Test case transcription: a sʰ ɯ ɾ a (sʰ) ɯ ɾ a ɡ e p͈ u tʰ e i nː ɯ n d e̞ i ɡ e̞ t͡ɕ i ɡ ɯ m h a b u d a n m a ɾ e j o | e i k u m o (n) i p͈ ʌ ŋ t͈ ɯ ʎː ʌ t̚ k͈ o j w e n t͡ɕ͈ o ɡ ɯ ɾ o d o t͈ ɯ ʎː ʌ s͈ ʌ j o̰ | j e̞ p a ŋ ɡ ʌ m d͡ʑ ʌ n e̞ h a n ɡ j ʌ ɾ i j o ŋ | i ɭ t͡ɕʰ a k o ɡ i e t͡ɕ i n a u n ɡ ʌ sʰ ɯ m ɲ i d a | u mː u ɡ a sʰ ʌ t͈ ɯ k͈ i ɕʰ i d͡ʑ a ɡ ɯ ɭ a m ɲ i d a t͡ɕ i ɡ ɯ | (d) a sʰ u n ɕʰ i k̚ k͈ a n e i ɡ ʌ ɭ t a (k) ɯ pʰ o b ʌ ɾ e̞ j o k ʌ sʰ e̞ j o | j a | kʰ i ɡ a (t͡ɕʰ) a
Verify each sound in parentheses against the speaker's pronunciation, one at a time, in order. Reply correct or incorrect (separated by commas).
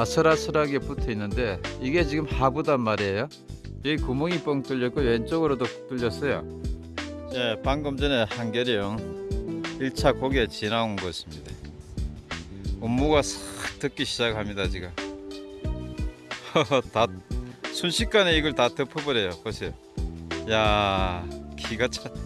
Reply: correct, incorrect, incorrect, incorrect, correct